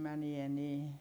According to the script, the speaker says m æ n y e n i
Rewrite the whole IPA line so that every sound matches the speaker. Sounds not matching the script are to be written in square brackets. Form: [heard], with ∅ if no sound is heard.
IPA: m æ n [i] e n [iː]